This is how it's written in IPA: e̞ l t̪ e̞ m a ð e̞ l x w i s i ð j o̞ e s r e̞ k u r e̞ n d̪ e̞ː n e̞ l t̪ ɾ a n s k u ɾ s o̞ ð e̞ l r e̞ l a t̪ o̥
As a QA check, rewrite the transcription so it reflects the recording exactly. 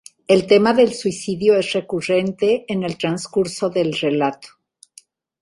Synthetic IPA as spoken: e̞ l t̪ e̞ m a ð e̞ l s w i s i ð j o̞ e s r e̞ k u r e̞ n t̪ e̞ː n e̞ l t̪ ɾ a n s k u ɾ s o̞ ð e̞ l r e̞ l a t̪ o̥